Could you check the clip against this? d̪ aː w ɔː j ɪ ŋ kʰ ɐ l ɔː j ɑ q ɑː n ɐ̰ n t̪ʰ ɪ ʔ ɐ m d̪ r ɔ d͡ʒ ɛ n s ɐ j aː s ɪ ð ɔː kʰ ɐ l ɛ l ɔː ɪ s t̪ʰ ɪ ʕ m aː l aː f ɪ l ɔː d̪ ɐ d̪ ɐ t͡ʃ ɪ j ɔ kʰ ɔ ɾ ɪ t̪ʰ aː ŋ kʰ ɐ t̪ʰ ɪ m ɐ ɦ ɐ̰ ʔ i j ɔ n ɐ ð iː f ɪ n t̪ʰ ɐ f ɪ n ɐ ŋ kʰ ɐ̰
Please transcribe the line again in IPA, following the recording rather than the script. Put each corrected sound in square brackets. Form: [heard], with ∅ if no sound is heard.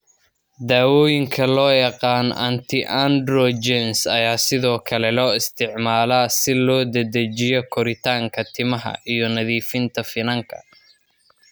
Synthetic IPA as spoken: d̪ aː w ɔː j ɪ ŋ kʰ ɐ l ɔː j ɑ q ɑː n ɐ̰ n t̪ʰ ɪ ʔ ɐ [n] d̪ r ɔ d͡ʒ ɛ n s ɐ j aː s ɪ ð ɔː kʰ ɐ l ɛ l ɔː ɪ s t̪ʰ ɪ ʕ m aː l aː [s] ɪ l ɔː d̪ ɐ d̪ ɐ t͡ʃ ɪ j ɔ kʰ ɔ ɾ ɪ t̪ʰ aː ŋ kʰ ɐ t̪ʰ ɪ m ɐ ɦ ɐ̰ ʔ i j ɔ n ɐ ð iː f ɪ n t̪ʰ ɐ f ɪ n ɐ ŋ kʰ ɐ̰